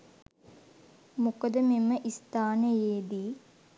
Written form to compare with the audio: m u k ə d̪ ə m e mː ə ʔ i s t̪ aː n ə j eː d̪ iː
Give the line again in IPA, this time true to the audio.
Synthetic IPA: m u k ə d̪ ə m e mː ə ʔ i s t̪ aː n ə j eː d̪ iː